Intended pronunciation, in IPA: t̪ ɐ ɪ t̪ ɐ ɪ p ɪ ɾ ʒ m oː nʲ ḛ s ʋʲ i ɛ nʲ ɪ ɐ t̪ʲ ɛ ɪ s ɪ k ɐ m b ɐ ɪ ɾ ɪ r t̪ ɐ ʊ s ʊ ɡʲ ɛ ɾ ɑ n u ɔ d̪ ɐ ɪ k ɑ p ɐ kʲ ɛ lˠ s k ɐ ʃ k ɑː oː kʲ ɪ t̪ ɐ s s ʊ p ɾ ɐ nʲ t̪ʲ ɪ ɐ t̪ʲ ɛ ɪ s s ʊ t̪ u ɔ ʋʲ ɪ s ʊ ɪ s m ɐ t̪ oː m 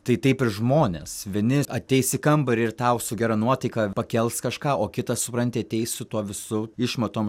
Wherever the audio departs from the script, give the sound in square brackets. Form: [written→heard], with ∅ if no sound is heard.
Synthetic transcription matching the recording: t̪ ɐ ɪ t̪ ɐ ɪ p ɪ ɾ ʒ m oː nʲ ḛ s ʋʲ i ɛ nʲ ɪ ɐ t̪ʲ ɛ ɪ s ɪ k ɐ m b ɐ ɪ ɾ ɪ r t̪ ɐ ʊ s ʊ ɡʲ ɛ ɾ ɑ n u ɔ [d̪→t̪] ɐ ɪ k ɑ p ɐ kʲ ɛ lˠ s k ɐ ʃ k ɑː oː kʲ ɪ t̪ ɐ s s ʊ p ɾ ɐ nʲ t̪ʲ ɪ ɐ t̪ʲ ɛ ɪ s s ʊ t̪ u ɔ ʋʲ ɪ s ʊ ɪ [s→ʃ] m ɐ t̪ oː m